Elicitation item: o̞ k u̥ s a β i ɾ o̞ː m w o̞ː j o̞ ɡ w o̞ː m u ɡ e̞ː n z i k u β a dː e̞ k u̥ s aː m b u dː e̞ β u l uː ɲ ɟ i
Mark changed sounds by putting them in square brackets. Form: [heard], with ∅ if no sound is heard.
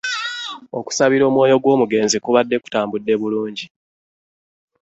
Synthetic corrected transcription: o̞ k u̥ s a β i ɾ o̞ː m w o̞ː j o̞ ɡ w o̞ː m u ɡ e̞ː n z i k u β a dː e̞ k u̥ [t] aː m b u dː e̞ β u l uː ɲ ɟ i